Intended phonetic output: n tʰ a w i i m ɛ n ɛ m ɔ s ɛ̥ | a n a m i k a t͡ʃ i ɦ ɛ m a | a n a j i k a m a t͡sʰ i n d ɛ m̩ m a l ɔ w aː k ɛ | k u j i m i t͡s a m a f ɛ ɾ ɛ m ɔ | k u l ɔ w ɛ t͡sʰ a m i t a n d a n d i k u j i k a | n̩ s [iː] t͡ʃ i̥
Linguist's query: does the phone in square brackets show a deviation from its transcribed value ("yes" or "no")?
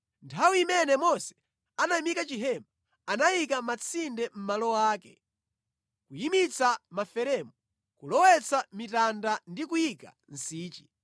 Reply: no